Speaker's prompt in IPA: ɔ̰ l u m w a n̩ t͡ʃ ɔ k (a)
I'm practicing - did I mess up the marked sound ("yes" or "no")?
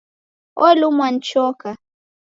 no